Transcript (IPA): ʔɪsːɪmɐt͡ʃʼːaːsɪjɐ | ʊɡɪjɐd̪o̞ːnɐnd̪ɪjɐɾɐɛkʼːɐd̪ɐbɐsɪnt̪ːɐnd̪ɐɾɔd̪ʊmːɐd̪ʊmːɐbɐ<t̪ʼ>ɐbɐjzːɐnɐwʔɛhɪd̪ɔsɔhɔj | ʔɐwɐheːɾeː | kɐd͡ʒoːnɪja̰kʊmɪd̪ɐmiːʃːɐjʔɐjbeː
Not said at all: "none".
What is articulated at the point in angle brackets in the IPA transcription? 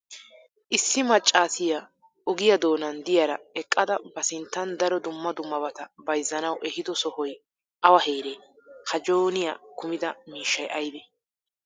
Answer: t̪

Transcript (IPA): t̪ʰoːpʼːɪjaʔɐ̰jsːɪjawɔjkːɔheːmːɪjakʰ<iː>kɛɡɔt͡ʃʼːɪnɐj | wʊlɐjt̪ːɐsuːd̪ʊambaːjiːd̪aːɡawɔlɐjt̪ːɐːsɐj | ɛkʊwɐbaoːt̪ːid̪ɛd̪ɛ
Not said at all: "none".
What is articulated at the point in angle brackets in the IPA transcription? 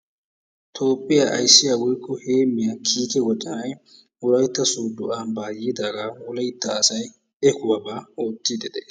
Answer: iː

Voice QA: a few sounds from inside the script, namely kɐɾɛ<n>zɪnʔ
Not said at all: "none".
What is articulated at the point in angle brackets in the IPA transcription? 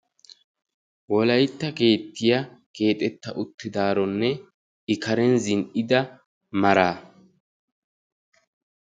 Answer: n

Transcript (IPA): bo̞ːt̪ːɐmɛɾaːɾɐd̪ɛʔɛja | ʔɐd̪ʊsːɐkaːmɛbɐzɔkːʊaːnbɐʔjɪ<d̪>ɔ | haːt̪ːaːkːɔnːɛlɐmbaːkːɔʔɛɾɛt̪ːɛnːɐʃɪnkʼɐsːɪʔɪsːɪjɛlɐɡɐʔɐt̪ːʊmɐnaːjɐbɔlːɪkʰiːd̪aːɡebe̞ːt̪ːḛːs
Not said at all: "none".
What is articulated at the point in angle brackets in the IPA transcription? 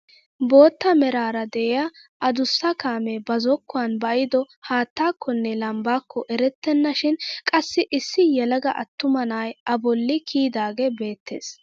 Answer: d̪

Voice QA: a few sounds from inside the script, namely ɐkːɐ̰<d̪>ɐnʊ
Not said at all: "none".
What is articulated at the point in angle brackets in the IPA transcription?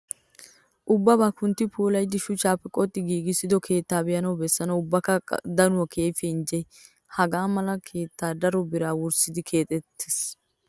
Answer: d̪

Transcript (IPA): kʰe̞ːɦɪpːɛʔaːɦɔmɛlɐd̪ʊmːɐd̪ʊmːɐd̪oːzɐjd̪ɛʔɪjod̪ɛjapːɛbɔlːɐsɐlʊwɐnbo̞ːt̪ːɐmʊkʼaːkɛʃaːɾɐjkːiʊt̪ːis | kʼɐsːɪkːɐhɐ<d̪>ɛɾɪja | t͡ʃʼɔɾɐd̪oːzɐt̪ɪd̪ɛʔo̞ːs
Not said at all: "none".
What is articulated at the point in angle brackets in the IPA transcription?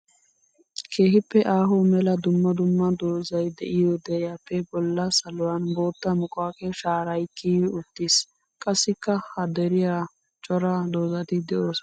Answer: d̪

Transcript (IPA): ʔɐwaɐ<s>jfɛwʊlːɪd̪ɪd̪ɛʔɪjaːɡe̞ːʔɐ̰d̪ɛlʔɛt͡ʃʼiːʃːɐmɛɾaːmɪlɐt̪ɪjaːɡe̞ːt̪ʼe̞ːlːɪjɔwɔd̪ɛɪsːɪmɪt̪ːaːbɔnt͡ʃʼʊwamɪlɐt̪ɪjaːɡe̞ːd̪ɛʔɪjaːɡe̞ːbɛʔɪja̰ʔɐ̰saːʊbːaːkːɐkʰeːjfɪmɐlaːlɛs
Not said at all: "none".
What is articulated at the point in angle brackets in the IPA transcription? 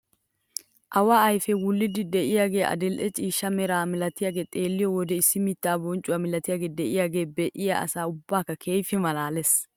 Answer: none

